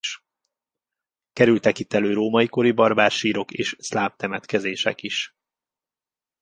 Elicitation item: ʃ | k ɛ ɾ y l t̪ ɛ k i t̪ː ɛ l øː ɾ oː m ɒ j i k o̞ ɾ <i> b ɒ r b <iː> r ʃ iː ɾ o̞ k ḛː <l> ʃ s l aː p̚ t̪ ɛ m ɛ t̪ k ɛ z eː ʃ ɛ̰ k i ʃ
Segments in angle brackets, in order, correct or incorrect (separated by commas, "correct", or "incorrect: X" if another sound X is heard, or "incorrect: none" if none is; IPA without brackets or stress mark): correct, incorrect: aː, incorrect: none